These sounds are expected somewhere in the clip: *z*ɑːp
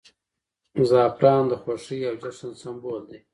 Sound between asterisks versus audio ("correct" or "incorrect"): correct